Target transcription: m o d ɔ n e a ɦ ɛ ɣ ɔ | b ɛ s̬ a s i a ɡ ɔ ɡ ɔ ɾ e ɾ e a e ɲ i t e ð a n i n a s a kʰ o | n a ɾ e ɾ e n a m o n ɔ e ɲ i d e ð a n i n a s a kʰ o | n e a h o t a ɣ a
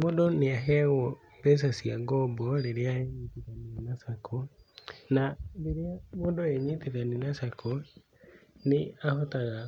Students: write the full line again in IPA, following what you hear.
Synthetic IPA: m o d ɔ n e a ɦ ɛ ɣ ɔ | b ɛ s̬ a s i a ɡ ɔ b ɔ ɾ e ɾ e a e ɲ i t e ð a n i n a s a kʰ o | n a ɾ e ɾ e a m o d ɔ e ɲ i t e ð a n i n a s a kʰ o | n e a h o t a ɣ a